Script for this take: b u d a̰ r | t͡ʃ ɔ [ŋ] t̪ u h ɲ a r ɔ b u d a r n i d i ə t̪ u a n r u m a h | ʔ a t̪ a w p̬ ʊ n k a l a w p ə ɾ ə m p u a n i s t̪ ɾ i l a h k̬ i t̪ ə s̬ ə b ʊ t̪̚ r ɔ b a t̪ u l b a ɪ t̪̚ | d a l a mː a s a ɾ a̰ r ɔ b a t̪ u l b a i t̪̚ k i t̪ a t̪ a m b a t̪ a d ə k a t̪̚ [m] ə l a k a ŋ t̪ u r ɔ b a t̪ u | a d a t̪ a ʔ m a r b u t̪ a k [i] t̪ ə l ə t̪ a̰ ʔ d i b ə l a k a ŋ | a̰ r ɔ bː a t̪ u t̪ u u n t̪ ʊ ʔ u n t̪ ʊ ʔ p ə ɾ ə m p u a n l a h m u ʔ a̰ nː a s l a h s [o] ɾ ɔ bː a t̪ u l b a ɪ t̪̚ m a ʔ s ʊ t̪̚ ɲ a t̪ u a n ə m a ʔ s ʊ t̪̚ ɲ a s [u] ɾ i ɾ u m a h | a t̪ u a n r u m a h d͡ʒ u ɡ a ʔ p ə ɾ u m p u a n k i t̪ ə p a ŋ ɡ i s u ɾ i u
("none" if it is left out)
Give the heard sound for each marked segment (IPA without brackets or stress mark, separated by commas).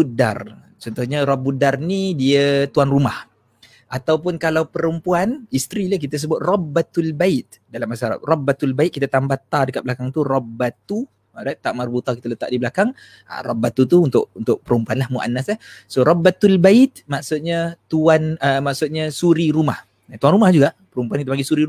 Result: n, b, i, o, u